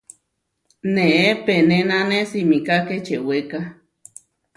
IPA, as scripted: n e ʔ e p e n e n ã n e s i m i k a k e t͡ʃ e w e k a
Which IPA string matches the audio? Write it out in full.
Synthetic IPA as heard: n e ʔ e p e n e n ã n e s i m i k a k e t͡ʃ e w e k a